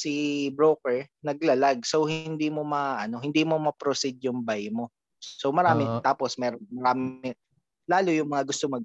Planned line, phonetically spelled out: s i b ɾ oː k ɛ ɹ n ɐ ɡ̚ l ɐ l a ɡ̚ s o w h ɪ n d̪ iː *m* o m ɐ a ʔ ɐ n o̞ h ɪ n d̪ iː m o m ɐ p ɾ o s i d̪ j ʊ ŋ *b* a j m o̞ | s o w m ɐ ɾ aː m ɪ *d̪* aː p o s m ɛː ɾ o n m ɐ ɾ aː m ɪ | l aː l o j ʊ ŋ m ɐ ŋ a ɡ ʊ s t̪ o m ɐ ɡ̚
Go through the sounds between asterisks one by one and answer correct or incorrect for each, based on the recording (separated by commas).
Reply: correct, correct, incorrect